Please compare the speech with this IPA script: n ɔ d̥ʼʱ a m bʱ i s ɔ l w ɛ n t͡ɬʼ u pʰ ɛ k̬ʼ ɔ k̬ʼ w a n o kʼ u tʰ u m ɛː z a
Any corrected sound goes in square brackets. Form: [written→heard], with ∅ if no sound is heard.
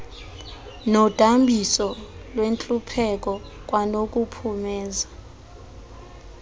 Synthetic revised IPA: n ɔ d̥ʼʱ a m bʱ i s ɔ l w [ɛ→e] n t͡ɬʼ u pʰ ɛ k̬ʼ ɔ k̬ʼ w a n o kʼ u [tʰ→pʰ] u m ɛː z a